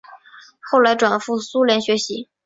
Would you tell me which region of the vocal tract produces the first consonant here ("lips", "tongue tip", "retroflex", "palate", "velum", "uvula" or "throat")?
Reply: velum